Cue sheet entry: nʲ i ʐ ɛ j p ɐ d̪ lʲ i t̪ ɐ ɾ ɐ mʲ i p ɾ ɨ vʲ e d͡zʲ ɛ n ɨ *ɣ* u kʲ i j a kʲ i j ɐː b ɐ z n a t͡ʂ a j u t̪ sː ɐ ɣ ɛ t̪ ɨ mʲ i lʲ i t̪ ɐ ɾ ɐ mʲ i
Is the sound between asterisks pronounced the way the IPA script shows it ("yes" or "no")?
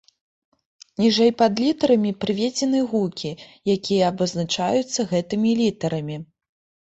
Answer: yes